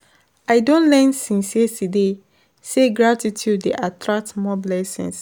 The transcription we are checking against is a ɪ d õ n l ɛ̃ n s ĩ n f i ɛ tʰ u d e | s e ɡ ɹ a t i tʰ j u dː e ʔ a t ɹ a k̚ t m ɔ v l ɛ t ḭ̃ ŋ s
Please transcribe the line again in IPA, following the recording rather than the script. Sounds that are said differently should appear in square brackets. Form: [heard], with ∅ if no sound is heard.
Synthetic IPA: a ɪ d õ n l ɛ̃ n s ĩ n [s] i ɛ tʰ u d e | s e ɡ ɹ a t i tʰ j u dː e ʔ a t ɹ a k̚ t m ɔ [b] l ɛ [s] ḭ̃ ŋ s